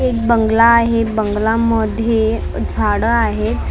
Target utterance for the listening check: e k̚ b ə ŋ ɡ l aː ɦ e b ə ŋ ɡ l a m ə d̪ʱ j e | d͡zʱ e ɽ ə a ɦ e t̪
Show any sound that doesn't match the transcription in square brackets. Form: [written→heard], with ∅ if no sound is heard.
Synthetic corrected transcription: e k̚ b ə ŋ ɡ l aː ɦ e b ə ŋ ɡ l a m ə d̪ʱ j e | d͡zʱ [e→a] ɽ ə a ɦ e t̪